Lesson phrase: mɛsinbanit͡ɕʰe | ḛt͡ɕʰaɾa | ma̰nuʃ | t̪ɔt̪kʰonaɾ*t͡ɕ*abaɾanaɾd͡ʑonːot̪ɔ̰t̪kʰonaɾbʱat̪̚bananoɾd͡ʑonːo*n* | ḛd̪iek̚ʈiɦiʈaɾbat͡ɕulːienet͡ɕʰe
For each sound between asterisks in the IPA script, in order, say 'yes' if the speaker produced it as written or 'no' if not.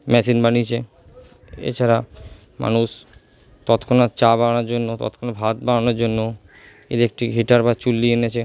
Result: yes, no

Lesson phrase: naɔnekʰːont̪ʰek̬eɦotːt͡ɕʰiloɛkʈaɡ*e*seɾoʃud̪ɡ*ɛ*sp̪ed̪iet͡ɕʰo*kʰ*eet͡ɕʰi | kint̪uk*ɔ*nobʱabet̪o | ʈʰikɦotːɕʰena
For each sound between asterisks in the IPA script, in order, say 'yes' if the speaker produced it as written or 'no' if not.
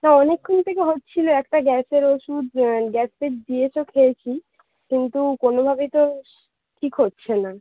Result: no, yes, yes, no

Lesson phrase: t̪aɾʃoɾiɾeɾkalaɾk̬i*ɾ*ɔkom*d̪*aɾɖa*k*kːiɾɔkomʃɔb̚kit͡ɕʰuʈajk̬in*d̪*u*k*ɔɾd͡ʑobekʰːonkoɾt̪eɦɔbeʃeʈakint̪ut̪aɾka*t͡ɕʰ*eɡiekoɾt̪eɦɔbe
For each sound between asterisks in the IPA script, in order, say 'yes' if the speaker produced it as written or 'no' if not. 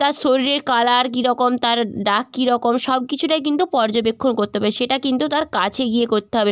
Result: yes, no, yes, no, no, yes

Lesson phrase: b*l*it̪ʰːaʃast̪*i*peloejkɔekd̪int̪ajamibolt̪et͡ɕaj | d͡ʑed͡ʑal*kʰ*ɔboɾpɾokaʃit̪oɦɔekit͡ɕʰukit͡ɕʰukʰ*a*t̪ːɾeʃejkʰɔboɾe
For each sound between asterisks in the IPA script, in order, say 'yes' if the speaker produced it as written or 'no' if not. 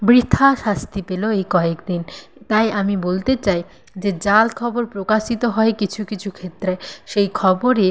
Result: no, yes, yes, no

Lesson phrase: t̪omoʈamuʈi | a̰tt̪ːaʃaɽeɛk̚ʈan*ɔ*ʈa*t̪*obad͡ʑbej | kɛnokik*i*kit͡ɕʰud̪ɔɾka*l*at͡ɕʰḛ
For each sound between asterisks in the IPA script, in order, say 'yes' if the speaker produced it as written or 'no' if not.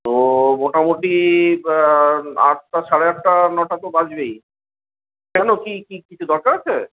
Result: yes, yes, yes, no

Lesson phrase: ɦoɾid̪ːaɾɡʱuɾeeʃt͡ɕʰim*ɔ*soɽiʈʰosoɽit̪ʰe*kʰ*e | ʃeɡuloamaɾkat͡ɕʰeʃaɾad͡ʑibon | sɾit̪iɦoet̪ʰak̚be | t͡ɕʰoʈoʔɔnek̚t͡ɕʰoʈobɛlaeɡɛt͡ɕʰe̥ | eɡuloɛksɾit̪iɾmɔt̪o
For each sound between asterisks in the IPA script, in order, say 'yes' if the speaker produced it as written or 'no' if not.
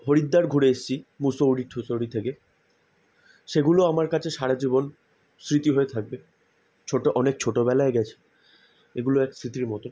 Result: no, no

